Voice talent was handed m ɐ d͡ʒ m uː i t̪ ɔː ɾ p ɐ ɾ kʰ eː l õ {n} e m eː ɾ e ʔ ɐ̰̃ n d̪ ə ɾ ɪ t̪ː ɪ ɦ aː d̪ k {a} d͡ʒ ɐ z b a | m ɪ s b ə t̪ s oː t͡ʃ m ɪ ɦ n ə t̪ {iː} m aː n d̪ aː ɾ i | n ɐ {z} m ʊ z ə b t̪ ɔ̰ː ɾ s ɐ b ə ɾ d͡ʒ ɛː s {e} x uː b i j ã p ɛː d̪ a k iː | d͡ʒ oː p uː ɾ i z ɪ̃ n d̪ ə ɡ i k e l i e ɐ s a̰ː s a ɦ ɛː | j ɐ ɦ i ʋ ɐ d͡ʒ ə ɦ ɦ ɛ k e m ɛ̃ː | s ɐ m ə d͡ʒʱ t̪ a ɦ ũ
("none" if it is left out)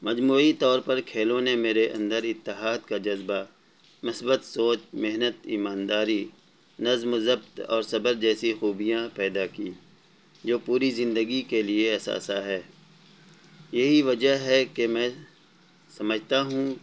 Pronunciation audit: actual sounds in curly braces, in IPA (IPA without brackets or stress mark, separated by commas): n, a, iː, z, i